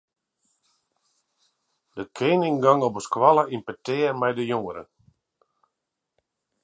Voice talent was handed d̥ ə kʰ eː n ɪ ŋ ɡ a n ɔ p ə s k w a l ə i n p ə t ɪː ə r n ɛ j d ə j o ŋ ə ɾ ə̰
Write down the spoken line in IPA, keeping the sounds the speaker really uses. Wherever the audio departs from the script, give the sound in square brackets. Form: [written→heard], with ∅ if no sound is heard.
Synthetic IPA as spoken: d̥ ə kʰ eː n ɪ ŋ ɡ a [n→ŋ] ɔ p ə s k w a l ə i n p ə t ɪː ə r [n→m] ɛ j d ə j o ŋ ə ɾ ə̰